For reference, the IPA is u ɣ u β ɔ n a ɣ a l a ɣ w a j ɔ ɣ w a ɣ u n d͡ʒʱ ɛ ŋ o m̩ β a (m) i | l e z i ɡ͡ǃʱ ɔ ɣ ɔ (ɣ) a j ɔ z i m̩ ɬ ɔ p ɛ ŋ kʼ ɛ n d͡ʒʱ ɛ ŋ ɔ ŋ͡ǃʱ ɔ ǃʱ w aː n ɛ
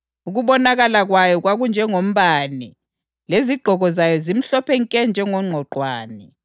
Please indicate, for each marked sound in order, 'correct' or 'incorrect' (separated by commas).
incorrect, incorrect